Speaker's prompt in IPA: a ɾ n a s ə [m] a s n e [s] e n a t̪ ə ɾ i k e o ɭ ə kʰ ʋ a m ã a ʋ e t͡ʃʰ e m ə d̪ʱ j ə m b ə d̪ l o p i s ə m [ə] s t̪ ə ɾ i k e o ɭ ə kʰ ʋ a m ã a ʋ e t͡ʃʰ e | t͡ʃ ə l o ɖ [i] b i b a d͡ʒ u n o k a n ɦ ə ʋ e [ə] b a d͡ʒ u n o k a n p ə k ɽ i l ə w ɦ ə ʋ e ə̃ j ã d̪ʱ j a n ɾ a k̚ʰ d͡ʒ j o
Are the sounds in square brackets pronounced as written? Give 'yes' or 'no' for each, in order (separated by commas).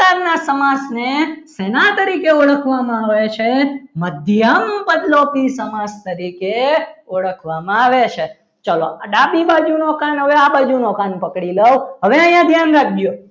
yes, yes, no, no, no